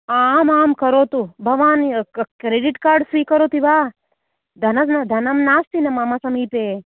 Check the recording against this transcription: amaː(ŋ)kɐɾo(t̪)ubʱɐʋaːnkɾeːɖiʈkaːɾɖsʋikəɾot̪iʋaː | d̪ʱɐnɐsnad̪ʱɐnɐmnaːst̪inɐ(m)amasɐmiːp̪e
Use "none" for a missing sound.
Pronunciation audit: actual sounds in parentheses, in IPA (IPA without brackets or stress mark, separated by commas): m, t̪, m